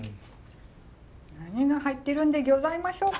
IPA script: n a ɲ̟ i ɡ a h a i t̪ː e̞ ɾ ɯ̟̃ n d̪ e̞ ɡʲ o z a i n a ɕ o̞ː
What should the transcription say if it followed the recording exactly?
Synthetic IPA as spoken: n a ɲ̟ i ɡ a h a i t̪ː e̞ ɾ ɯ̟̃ n d̪ e̞ ɡʲ o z a i m a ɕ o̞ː